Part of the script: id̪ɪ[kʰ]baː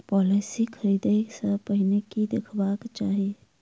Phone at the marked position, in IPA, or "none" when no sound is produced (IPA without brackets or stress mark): kʰ